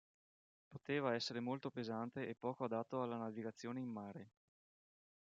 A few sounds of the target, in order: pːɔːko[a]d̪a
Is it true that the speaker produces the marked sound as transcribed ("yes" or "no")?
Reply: yes